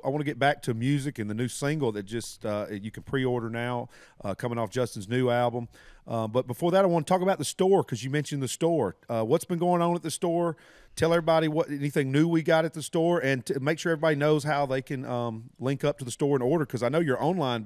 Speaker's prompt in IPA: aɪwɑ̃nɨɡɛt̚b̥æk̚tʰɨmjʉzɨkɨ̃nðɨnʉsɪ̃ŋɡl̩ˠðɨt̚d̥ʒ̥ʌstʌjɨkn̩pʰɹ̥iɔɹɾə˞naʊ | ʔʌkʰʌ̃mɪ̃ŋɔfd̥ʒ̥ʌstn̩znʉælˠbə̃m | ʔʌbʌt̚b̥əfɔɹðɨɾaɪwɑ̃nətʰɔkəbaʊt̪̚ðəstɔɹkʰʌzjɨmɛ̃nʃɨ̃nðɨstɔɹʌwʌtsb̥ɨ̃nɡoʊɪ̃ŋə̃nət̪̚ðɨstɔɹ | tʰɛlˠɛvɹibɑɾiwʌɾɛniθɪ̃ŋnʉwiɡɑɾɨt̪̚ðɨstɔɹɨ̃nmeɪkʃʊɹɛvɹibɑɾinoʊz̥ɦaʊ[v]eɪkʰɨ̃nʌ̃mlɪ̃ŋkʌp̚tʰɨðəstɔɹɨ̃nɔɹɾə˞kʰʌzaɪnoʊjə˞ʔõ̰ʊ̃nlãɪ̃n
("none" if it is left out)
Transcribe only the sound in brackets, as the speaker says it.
ð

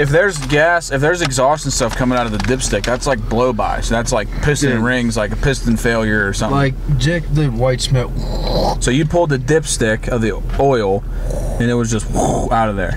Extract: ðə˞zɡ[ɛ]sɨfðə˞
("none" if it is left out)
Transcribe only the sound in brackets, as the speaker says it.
æ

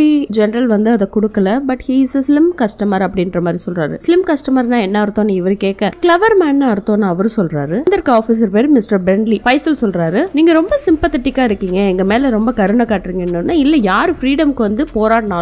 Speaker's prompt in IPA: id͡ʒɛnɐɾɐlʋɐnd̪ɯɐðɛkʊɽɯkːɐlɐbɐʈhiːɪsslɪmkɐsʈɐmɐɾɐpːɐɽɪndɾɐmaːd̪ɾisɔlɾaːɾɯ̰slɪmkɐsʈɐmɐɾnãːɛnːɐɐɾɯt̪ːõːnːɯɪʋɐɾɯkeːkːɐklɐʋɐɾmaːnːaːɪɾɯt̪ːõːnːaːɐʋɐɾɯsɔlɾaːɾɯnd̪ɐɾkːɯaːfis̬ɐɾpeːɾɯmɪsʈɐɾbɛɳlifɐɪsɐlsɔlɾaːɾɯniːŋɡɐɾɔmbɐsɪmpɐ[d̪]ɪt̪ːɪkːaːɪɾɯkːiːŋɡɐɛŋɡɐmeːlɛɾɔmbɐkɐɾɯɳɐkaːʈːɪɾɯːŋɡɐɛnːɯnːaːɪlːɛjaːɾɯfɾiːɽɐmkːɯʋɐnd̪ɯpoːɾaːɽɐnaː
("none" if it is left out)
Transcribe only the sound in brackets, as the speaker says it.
t̪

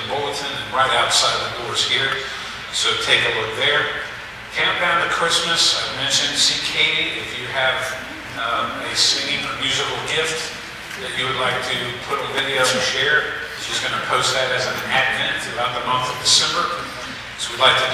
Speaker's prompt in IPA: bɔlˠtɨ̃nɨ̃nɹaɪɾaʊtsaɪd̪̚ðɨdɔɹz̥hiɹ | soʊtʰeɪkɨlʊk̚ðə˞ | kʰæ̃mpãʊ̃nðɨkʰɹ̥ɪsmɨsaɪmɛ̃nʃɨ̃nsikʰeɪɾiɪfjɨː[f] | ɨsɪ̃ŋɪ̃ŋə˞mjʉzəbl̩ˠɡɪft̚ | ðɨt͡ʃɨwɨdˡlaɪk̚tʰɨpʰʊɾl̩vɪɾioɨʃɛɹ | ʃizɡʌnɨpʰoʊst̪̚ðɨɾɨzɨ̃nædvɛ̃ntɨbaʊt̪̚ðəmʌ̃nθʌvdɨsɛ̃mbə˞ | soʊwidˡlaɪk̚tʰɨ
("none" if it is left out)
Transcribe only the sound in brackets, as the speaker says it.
v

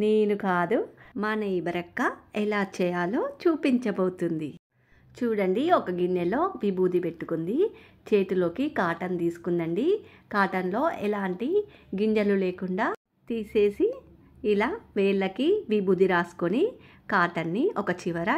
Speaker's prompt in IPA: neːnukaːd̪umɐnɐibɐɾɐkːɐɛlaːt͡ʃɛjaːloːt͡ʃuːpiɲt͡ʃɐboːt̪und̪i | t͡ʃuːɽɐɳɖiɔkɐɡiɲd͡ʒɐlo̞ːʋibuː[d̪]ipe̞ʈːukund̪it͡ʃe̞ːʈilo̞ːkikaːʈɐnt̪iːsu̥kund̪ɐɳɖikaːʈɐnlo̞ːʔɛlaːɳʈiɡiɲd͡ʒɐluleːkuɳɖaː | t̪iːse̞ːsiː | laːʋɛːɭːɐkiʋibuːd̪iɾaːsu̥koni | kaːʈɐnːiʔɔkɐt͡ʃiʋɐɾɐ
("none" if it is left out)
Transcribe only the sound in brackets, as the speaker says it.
d̪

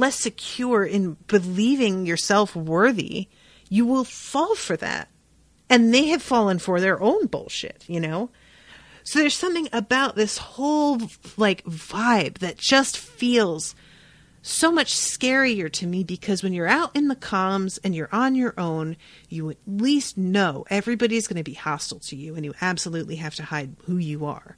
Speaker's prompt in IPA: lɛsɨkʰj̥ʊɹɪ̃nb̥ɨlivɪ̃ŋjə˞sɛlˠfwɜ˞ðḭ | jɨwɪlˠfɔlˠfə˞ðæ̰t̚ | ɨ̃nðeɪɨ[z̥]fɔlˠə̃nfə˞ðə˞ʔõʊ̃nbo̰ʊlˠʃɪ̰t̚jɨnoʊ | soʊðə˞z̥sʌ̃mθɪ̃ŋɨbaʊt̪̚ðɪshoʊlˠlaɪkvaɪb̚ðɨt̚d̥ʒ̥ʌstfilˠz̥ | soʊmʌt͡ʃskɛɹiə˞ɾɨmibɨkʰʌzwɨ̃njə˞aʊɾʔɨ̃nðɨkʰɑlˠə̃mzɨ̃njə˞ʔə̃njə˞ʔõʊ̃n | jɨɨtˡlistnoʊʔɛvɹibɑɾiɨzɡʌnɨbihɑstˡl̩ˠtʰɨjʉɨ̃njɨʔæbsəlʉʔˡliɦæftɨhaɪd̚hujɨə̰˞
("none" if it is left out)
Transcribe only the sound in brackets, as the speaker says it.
v̥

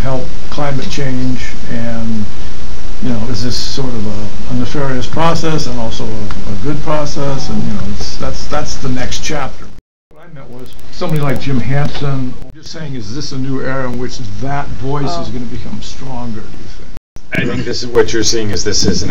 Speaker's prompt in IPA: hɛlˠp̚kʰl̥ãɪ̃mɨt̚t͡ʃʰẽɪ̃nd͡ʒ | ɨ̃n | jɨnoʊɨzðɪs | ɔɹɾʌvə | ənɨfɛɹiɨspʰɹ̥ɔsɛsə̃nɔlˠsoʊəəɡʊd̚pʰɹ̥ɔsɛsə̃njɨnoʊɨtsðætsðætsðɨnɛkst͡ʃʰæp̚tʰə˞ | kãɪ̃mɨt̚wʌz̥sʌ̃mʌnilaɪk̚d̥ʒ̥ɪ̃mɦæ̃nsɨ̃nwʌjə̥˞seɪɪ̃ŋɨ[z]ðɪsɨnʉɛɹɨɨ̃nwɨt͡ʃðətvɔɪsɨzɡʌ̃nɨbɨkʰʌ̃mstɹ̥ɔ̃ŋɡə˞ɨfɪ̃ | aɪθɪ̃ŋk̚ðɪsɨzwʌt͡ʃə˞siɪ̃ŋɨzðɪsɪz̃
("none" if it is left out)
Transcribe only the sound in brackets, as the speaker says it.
z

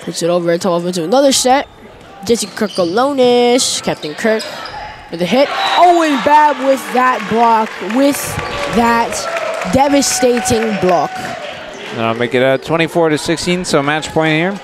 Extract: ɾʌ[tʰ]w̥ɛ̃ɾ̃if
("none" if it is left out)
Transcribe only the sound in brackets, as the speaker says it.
tʰ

